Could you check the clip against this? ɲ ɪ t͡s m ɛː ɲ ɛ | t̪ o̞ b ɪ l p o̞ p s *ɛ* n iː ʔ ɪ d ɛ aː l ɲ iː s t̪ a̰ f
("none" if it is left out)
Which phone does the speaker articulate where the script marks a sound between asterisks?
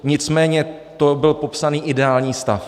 a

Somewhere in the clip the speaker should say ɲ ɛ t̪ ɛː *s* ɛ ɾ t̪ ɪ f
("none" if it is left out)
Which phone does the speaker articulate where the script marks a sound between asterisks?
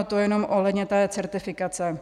t͡s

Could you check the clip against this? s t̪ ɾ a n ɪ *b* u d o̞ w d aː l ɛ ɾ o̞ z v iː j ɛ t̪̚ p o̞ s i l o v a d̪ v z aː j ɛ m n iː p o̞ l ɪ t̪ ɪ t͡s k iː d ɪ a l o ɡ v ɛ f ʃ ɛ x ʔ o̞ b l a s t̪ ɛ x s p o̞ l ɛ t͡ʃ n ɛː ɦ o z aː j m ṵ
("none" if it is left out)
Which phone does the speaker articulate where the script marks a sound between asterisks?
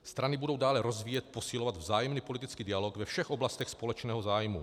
b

